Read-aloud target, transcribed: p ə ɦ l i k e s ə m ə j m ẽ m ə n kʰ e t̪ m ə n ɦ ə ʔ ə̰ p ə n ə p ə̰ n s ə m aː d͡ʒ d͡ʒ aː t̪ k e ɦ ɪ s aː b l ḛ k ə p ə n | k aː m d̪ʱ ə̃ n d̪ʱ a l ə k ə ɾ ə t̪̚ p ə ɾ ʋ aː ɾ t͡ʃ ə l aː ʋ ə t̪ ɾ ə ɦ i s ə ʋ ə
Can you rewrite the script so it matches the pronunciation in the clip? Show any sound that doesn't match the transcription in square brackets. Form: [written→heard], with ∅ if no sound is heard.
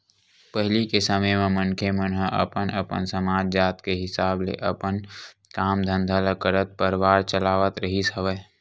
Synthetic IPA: p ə ɦ l i k e s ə m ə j m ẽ m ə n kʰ e [t̪→∅] m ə n ɦ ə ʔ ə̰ p ə n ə p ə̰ n s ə m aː d͡ʒ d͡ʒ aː t̪ k e ɦ ɪ s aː b l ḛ [k→ʔ] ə p ə n | k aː m d̪ʱ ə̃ n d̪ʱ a l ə k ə ɾ ə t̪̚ p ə ɾ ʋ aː ɾ t͡ʃ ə l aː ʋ ə t̪ ɾ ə ɦ i s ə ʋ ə